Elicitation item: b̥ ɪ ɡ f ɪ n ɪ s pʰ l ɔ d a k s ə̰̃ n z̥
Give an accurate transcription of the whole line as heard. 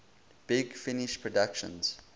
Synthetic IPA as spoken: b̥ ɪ ɡ f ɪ n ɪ ʃ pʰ ɹ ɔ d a k ʃ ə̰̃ n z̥